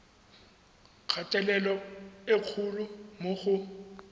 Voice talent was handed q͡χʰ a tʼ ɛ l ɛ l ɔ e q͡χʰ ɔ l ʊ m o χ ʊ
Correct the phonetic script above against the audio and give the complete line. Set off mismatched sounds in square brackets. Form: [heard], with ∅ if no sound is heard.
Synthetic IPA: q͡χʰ a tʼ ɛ l ɛ l ɔ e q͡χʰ [u] l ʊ m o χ ʊ